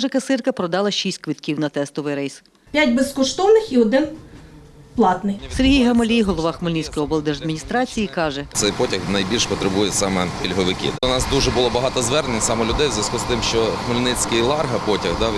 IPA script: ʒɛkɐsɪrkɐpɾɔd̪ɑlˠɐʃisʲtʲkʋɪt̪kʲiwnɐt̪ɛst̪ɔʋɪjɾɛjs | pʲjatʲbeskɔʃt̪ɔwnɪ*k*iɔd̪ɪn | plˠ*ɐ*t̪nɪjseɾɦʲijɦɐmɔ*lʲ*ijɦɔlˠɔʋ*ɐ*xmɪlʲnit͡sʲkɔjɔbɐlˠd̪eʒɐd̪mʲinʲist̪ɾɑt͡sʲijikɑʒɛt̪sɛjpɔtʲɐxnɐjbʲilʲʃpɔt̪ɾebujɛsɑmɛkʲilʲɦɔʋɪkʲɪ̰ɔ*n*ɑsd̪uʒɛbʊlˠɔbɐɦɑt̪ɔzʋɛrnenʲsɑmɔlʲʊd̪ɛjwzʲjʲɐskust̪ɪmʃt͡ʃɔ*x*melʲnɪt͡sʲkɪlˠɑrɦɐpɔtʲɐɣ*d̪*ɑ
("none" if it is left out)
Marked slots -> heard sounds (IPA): x, ɑ, lʲ, ɑ, n, x, d̪

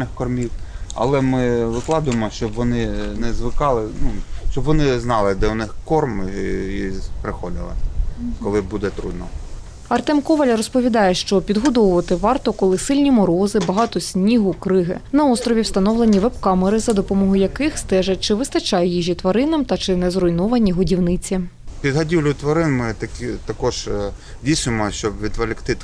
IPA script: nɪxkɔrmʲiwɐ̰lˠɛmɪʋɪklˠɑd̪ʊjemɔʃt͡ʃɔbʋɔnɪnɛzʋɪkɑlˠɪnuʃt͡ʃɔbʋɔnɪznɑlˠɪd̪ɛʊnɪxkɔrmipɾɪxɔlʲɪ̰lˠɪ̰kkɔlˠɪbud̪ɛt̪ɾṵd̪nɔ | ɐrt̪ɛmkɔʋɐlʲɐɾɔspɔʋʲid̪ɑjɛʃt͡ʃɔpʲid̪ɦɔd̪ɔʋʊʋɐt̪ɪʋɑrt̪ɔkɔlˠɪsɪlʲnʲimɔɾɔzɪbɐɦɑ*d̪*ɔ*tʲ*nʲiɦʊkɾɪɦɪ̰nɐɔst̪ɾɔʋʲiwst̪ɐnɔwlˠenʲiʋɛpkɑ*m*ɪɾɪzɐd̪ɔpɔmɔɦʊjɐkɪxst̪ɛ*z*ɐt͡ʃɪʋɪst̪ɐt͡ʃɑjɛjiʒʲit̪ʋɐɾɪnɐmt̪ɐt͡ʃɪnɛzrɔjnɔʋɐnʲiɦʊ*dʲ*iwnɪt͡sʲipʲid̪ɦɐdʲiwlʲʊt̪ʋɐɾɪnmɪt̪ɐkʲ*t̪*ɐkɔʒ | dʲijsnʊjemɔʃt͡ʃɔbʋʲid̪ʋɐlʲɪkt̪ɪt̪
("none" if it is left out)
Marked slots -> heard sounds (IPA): t̪, sʲ, m, ʒ, dʲ, t̪

